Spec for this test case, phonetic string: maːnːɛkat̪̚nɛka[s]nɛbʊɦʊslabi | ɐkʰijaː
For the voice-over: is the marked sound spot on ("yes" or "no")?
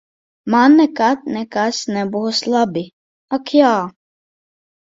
yes